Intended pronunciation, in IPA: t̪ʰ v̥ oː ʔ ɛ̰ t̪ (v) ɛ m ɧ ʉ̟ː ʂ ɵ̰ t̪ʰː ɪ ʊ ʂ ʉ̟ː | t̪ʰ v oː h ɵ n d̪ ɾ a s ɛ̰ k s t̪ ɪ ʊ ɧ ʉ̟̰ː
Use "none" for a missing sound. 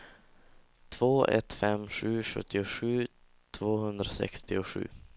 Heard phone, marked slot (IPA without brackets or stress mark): f